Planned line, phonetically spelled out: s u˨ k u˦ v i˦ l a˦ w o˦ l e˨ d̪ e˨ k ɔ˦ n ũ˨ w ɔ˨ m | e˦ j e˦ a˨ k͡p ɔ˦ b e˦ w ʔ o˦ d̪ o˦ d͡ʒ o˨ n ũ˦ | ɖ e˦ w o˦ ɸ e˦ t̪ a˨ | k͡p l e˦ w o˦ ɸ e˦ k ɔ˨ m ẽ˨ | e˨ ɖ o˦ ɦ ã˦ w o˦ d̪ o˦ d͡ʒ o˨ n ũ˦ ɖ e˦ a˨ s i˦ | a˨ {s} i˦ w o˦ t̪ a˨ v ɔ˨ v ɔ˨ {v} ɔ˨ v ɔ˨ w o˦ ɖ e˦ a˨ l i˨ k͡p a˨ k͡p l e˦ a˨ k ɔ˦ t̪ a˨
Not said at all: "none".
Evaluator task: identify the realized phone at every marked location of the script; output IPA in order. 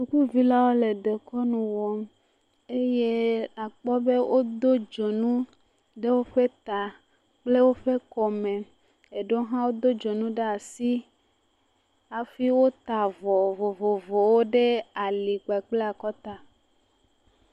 f, v

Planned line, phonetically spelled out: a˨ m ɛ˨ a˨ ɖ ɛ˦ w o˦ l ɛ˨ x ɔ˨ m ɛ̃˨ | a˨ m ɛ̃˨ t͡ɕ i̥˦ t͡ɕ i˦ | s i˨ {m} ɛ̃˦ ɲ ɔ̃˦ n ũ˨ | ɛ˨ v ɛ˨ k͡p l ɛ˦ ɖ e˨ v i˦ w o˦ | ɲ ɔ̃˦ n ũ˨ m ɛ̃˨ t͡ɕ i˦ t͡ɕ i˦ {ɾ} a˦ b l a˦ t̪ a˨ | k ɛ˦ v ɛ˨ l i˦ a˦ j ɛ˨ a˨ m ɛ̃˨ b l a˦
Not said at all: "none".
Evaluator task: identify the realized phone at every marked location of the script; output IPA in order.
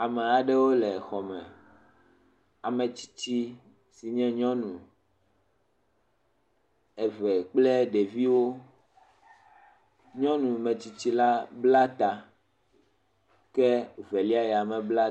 ɲ, l

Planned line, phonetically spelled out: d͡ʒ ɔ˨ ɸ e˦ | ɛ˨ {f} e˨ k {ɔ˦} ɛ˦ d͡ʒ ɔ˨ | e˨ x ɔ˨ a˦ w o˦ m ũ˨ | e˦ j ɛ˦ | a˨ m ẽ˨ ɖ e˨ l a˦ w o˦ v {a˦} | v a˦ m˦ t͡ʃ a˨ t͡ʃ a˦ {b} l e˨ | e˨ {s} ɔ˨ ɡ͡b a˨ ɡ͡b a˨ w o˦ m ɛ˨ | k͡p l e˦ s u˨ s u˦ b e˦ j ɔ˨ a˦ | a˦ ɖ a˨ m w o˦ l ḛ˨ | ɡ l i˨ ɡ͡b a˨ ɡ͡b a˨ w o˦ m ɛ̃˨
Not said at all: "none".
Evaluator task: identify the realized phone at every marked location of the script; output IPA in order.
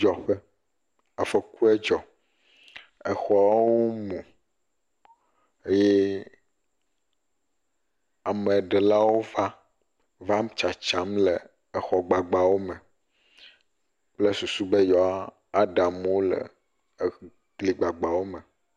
f, u˦, a˦, m, x

